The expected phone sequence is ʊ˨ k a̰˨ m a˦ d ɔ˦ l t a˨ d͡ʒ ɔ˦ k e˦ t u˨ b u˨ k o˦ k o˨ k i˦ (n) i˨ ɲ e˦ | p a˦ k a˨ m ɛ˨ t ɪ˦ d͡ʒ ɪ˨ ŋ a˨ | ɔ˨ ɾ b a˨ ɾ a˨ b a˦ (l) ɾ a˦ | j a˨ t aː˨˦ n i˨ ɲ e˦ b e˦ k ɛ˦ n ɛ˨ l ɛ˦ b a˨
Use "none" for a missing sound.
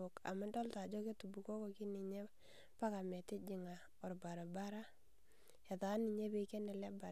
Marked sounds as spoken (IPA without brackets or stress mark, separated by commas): n, none